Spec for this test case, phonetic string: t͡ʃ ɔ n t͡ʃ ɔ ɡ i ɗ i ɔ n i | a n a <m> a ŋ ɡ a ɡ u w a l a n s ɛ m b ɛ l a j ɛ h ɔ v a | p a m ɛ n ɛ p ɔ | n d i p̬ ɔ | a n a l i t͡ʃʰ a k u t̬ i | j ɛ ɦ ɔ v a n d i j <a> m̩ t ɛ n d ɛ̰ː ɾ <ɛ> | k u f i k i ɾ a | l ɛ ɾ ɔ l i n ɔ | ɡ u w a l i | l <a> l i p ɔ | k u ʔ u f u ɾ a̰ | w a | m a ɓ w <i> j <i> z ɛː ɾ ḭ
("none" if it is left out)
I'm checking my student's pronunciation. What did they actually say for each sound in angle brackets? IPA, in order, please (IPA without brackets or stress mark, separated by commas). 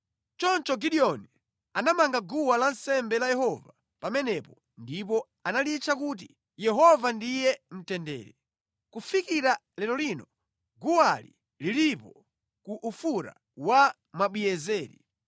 m, ɛ, ɛ, i, i, ɛ